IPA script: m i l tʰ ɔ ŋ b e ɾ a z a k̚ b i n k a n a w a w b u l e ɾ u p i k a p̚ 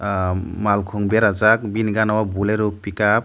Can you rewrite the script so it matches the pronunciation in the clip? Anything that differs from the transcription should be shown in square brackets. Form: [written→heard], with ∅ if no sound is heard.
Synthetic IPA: m [i→a] l [tʰ→kʰ] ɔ ŋ b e ɾ a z a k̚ b i n [k→ɡ] a n a w a [w→∅] b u l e ɾ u p i k a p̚